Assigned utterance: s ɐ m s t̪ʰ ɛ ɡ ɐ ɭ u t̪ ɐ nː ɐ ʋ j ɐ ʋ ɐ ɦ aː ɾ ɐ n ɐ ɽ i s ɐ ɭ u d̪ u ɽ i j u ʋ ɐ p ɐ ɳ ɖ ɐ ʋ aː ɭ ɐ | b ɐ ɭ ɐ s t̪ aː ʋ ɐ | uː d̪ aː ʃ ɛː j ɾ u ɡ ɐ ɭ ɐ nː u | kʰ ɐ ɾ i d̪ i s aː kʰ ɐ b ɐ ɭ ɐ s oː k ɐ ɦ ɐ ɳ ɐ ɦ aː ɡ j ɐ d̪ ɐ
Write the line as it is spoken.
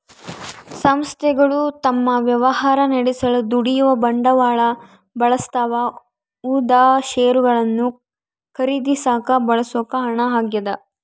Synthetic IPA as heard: s ɐ m s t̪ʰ ɛ ɡ ɐ ɭ u t̪ ɐ mː ɐ ʋ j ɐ ʋ ɐ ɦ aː ɾ ɐ n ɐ ɽ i s ɐ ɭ u d̪ u ɽ i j u ʋ ɐ b ɐ ɳ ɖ ɐ ʋ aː ɭ ɐ | b ɐ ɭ ɐ s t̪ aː ʋ ɐ | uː d̪ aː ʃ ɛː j ɾ u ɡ ɐ ɭ ɐ nː u | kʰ ɐ ɾ i d̪ i s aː k ɐ b ɐ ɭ ɐ s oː k ɐ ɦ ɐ ɳ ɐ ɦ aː ɡ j ɐ d̪ ɐ